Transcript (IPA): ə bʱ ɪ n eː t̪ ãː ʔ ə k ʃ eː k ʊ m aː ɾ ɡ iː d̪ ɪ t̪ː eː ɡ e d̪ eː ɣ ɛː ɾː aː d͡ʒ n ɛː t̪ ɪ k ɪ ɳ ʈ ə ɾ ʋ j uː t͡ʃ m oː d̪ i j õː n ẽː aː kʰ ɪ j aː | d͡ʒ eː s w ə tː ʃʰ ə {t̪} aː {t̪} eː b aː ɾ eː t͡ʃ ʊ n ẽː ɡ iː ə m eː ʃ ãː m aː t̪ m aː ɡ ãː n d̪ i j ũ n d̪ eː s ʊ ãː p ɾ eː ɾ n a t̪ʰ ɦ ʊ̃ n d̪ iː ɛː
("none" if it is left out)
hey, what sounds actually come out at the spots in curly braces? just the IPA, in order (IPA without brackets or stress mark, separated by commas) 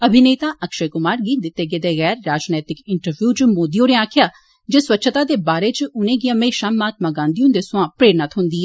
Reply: t̪, d̪